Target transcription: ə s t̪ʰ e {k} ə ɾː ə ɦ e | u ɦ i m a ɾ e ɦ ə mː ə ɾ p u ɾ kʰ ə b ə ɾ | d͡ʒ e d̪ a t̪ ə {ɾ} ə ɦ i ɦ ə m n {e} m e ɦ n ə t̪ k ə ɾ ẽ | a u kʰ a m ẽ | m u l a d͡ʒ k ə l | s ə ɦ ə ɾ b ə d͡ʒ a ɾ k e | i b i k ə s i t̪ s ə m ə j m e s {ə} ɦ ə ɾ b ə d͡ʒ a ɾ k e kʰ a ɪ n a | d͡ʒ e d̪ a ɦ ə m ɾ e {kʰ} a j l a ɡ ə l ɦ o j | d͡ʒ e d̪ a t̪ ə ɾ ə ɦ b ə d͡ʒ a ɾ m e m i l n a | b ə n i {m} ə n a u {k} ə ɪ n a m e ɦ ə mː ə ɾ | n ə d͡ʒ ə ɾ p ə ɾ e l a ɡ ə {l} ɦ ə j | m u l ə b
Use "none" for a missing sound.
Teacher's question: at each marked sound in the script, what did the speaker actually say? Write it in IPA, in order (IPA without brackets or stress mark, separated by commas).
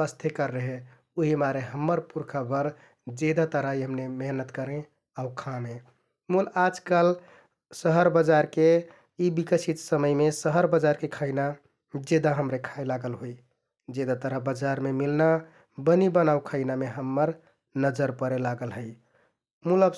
k, ɾ, e, ə, kʰ, b, kʰ, l